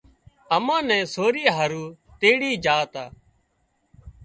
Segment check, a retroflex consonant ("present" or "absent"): present